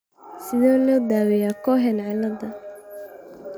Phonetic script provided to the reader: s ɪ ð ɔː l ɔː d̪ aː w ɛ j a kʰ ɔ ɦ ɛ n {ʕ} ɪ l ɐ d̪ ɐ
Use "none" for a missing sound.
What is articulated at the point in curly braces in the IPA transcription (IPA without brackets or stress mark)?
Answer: ʕ